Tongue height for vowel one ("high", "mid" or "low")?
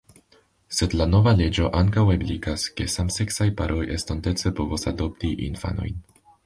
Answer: mid